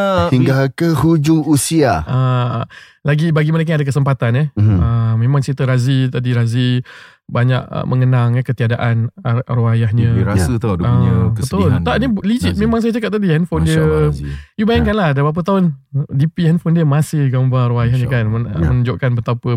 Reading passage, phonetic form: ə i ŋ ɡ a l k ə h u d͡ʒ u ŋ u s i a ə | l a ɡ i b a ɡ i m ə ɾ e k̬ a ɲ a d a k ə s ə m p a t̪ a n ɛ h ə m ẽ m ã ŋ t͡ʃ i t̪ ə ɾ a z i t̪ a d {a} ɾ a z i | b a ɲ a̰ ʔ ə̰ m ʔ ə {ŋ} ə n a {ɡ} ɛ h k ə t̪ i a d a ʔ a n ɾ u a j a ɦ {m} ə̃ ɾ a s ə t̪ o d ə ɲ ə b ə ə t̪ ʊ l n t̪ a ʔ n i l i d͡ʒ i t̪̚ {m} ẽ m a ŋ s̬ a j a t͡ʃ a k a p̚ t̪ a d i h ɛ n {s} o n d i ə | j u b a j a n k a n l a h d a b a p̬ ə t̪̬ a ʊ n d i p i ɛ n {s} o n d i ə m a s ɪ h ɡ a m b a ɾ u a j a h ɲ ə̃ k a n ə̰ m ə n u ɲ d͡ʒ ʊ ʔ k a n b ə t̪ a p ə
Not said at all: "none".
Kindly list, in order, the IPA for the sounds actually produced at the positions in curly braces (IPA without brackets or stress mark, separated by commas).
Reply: i, ŋ, ŋ, ɲ, m, f, f